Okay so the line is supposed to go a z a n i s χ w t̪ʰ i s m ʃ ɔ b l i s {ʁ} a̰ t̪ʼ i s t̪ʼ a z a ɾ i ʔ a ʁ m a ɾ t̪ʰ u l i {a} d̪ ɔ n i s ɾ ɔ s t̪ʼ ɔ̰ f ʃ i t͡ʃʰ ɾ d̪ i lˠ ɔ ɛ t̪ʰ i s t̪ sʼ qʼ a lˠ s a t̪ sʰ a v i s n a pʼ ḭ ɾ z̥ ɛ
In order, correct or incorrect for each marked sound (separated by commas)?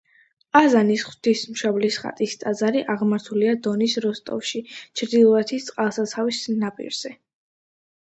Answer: incorrect, correct